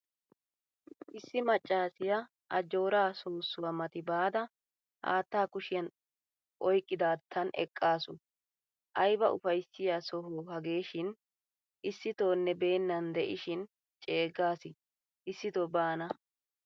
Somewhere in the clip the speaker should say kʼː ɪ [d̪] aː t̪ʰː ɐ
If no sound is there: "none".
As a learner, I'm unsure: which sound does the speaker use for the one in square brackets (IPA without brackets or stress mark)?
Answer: d̪